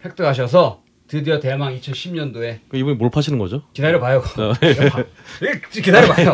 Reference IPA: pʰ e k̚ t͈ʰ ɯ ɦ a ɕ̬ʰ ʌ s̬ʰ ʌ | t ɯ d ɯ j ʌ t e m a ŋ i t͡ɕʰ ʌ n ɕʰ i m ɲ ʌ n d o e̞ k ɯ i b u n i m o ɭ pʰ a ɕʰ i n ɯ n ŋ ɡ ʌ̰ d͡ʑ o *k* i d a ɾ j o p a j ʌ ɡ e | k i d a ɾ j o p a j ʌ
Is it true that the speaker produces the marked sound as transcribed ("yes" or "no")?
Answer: yes